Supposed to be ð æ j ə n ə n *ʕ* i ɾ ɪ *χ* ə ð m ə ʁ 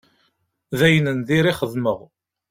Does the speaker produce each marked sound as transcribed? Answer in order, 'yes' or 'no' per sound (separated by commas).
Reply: no, yes